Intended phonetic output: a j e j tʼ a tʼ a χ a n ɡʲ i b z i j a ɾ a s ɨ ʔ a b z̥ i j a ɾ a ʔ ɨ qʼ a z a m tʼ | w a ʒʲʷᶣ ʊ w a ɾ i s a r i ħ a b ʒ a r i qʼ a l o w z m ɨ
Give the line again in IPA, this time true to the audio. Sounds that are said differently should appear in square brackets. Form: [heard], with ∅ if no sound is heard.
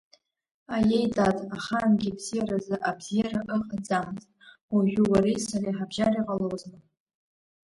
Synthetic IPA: a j e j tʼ a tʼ a χ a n ɡʲ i b z i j a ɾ a [z] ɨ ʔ a b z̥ i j a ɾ a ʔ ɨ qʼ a [d͡z] a m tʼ | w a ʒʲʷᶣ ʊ w a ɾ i s a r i ħ a b ʒ a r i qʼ a l o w z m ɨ